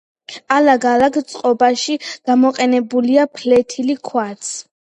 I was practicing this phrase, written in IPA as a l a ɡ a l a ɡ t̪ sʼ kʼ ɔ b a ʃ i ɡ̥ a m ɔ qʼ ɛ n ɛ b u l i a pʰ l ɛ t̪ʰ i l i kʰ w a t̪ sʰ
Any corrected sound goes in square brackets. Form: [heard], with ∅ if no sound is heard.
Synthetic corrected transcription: a l a ɡ a l a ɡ t̪ sʼ [qʼ] ɔ b a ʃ i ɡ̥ a m ɔ qʼ ɛ n ɛ b u l i a pʰ l ɛ t̪ʰ i l i kʰ w a t̪ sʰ